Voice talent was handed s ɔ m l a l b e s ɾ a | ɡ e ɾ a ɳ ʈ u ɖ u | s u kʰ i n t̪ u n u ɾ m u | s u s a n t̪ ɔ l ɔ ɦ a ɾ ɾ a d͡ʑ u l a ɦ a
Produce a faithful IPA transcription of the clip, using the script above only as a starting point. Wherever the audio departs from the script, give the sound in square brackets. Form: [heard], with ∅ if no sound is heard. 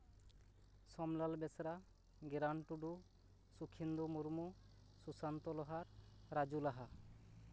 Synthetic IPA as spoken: s ɔ m l a l b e s ɾ a | ɡ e ɾ a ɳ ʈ u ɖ u | s u kʰ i n [d̪] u [m] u ɾ m u | s u s a n t̪ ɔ l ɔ ɦ a ɾ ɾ a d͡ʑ u l a ɦ a

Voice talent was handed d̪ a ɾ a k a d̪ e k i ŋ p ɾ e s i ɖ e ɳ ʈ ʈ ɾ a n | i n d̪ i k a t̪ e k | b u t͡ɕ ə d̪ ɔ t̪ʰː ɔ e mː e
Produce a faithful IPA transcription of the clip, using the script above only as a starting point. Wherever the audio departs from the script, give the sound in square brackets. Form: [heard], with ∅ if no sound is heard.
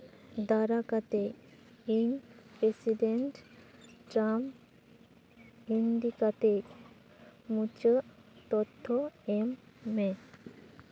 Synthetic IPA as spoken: d̪ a ɾ a k a [t̪] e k i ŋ p ɾ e s i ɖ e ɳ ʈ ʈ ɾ a [m] | i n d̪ i k a t̪ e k | [m] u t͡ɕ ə [t̪] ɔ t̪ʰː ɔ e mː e

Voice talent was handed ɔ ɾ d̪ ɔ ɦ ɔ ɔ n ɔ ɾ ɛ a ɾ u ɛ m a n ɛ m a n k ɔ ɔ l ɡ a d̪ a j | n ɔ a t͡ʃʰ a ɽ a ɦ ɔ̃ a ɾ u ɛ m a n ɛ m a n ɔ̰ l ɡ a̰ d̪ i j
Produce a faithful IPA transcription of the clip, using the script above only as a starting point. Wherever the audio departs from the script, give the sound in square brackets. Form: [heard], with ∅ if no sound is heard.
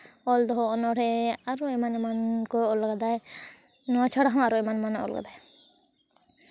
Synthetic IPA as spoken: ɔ [l] d̪ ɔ ɦ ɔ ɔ n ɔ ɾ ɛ a ɾ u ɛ m a n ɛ m a n k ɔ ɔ l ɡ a d̪ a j | n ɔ a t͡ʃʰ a ɽ a ɦ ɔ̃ a ɾ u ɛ m a n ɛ m a n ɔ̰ l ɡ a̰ d̪ [a] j

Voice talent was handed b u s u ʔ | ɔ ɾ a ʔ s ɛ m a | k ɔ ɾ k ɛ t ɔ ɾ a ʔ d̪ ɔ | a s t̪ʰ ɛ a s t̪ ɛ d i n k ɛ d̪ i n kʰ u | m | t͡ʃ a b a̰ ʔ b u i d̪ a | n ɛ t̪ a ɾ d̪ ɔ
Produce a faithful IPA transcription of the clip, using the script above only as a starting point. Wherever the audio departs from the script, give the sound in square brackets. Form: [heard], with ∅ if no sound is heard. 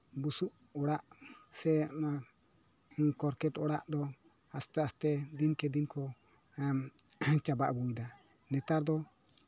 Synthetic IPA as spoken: b u s u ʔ | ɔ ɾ a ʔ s ɛ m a | k ɔ ɾ k ɛ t ɔ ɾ a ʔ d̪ ɔ | a s [t̪] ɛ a s t̪ ɛ d i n k ɛ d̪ i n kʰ [ɔ] | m | t͡ʃ a b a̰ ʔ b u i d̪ a | n ɛ t̪ a ɾ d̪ ɔ

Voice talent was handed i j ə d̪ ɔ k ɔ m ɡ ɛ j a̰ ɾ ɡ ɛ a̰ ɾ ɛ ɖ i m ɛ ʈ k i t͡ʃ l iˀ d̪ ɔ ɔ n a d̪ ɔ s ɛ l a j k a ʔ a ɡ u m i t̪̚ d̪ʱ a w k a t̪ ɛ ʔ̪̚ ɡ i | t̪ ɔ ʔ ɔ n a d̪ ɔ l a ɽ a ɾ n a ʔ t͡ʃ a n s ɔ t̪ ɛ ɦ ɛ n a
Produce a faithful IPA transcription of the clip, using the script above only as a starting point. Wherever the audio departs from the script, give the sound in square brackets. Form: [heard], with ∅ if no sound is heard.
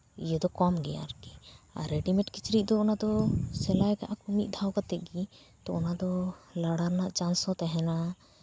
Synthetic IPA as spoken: i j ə d̪ ɔ k ɔ m ɡ ɛ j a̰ ɾ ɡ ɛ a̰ ɾ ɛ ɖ i m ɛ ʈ k i t͡ʃ [ɾ] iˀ d̪ ɔ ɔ n a d̪ ɔ s ɛ l a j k a ʔ a [k] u m i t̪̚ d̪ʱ a w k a t̪ ɛ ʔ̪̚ ɡ i | t̪ ɔ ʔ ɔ n a d̪ ɔ l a ɽ a ɾ n a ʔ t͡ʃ a n s ɔ t̪ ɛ ɦ ɛ n a

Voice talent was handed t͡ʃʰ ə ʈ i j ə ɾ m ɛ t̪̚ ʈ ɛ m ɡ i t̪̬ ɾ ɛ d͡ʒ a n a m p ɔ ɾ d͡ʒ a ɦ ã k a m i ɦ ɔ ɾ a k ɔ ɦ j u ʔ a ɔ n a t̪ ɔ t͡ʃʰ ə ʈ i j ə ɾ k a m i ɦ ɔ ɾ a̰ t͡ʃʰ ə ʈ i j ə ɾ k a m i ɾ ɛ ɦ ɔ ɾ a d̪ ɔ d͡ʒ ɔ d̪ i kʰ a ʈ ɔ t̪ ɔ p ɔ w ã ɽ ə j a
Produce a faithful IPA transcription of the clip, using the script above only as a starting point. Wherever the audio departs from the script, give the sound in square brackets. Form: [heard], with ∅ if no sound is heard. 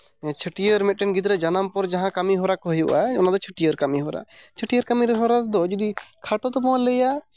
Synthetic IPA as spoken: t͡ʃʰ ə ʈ i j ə ɾ m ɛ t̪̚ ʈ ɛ [n] ɡ i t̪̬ ɾ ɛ d͡ʒ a n a m p ɔ ɾ d͡ʒ a ɦ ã k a m i ɦ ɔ ɾ a k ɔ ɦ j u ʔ a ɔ n a [d̪] ɔ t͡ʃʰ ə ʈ i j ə ɾ k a m i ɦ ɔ ɾ a̰ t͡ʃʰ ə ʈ i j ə ɾ k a m i ɾ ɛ ɦ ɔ ɾ a d̪ ɔ d͡ʒ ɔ d̪ i kʰ a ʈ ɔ t̪ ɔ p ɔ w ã [l] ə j a

